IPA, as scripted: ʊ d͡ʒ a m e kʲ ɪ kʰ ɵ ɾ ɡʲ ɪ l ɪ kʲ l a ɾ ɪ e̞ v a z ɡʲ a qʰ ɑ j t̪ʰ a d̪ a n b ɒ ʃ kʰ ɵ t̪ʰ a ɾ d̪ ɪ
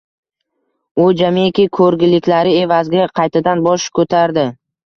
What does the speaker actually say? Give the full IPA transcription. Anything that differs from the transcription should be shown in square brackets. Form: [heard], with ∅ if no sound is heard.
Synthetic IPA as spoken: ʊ d͡ʒ a m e kʲ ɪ kʰ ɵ ɾ ɡʲ ɪ l ɪ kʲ l a ɾ ɪ e̞ v a z ɡʲ a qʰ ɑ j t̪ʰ a d̪ a n b ɒ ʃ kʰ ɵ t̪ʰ a ɾ d̪ ɪ